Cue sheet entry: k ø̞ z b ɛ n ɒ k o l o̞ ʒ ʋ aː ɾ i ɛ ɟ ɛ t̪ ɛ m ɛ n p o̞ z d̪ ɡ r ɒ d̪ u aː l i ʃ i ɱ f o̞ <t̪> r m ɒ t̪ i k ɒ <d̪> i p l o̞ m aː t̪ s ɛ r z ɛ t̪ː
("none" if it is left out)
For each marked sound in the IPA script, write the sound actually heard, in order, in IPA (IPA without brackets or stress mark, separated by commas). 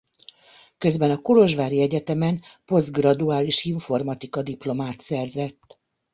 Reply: none, d̪